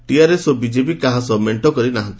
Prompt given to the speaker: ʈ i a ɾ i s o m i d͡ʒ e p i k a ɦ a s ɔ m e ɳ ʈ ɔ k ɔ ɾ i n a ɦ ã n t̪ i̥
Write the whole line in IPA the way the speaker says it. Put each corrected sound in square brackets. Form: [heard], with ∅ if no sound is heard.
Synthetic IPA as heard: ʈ i a ɾ [e] s o [b] i d͡ʒ e p i k a ɦ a s ɔ m e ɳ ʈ ɔ k ɔ ɾ i n a ɦ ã n t̪ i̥

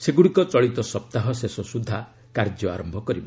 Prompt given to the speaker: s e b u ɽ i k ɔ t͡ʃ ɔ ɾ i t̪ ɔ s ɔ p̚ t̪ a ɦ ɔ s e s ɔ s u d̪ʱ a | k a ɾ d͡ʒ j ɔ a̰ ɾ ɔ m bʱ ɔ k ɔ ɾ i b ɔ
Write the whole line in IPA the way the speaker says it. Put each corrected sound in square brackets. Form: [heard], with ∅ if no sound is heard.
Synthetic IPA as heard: s e [ɡ] u ɽ i k ɔ t͡ʃ ɔ [ɭ] i t̪ ɔ s ɔ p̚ t̪ a ɦ ɔ s e s ɔ s u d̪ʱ a | k a ɾ d͡ʒ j ɔ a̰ ɾ ɔ m bʱ ɔ k ɔ ɾ i b ɔ

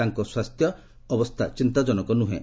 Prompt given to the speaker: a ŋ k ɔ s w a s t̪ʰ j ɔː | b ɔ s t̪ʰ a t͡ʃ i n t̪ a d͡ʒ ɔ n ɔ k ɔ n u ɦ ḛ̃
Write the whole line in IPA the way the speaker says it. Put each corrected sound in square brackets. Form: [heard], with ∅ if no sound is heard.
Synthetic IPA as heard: a ŋ k ɔ s w a s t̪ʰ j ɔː | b ɔ s t̪ʰ a t͡ʃ i n t̪ a d͡ʒ ɔ n ɔ k ɔ n u ɦ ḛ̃

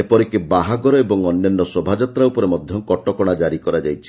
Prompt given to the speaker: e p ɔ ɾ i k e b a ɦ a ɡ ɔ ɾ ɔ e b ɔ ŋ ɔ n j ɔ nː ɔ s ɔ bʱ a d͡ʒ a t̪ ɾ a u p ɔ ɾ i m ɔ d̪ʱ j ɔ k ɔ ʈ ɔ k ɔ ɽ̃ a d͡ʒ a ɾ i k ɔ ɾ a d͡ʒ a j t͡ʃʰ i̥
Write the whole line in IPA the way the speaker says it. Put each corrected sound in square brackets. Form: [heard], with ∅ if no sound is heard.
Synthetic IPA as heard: e p ɔ ɾ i k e b a ɦ a ɡ ɔ ɾ ɔ e b ɔ ŋ ɔ n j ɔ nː ɔ s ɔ bʱ a d͡ʒ a t̪ ɾ a u p ɔ ɾ [e] m ɔ d̪ʱ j ɔ k ɔ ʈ ɔ k ɔ ɽ̃ a d͡ʒ a ɾ i k ɔ ɾ a d͡ʒ a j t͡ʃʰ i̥

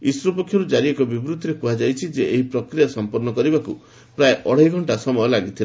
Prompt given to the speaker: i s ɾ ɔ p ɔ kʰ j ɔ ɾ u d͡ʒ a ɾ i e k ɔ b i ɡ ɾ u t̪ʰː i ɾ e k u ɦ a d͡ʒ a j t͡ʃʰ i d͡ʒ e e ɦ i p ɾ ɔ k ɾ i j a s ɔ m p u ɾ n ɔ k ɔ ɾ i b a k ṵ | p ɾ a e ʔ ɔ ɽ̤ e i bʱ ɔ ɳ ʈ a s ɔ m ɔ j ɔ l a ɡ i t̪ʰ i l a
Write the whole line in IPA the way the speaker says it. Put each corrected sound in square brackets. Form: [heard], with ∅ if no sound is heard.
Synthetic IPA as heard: i s ɾ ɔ p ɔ kʰ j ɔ ɾ u d͡ʒ a ɾ i e k ɔ b i [b] ɾ u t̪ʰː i ɾ e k u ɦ a d͡ʒ a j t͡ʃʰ i d͡ʒ e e ɦ i p ɾ ɔ k ɾ i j a s ɔ m p [ɔ] ɾ n ɔ k ɔ ɾ i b a k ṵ | p ɾ a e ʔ ɔ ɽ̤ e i [ɡʱ] ɔ ɳ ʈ a s ɔ m ɔ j ɔ l a ɡ i t̪ʰ i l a

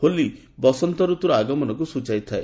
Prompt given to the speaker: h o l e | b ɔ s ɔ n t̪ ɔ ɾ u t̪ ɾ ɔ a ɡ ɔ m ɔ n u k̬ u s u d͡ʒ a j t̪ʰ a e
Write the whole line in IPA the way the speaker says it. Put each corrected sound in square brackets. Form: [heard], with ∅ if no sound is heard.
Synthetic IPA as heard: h o l [i] | b ɔ s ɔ n t̪ ɔ ɾ u t̪ ɾ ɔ a ɡ ɔ m ɔ n [ɔ] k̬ u s u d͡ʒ a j t̪ʰ a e

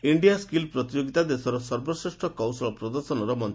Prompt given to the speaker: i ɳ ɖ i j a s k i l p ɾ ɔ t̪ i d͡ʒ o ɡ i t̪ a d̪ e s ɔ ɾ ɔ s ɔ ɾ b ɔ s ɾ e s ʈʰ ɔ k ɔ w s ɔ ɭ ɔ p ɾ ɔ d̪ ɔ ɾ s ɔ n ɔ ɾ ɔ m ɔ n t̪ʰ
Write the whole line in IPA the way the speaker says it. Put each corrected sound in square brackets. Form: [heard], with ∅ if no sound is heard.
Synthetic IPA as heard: i ɳ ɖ i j a s k i l p ɾ ɔ t̪ i d͡ʒ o ɡ i t̪ a d̪ e s ɔ ɾ ɔ s ɔ ɾ b ɔ s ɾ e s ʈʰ ɔ k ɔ w s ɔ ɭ ɔ p ɾ ɔ d̪ ɔ ɾ s ɔ n ɔ ɾ ɔ m ɔ n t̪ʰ

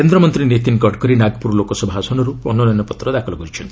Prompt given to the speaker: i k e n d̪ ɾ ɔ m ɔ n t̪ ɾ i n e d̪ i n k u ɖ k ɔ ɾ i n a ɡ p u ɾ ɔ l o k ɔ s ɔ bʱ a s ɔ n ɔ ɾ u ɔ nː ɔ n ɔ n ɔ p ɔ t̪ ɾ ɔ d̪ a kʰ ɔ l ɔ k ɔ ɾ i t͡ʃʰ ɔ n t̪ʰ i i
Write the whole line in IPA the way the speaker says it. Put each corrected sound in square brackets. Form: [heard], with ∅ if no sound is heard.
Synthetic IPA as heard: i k e n d̪ ɾ ɔ m ɔ n t̪ ɾ i n e [t̪] i n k [ɔ] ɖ k ɔ ɾ i n a ɡ p u ɾ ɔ l o k ɔ s ɔ bʱ a s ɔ n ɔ ɾ u ɔ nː ɔ n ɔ n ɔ p ɔ t̪ ɾ ɔ d̪ a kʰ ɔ l ɔ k ɔ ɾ i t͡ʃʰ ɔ n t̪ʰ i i

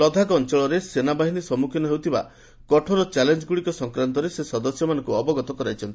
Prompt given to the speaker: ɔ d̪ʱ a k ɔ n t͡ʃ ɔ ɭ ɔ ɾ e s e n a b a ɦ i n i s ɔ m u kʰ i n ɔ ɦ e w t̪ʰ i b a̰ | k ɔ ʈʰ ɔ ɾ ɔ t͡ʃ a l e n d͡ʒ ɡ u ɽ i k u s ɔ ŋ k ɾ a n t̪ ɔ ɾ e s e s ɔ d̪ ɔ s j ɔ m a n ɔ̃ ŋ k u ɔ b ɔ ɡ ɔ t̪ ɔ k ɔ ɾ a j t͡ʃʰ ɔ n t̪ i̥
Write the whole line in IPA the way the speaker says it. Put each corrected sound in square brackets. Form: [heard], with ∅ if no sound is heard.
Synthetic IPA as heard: ɔ d̪ʱ a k ɔ n t͡ʃ ɔ ɭ ɔ ɾ e s e n a b a ɦ i n i s ɔ m u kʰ i n ɔ ɦ e w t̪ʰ i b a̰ | k ɔ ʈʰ ɔ ɾ ɔ t͡ʃ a l e n d͡ʒ ɡ u ɽ i k [ɔ] s ɔ ŋ k ɾ a n t̪ ɔ ɾ e s e s ɔ d̪ ɔ s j ɔ m a n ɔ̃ ŋ k u ɔ b ɔ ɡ ɔ t̪ ɔ k ɔ ɾ a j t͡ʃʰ ɔ n t̪ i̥

